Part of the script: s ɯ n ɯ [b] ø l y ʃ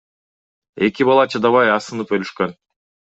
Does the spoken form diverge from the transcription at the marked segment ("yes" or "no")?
yes